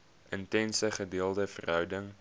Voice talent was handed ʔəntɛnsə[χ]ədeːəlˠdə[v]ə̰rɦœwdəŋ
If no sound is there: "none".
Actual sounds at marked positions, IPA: χ, f

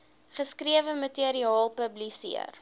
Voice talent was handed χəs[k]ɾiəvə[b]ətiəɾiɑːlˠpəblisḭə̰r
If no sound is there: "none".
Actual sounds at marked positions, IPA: k, m

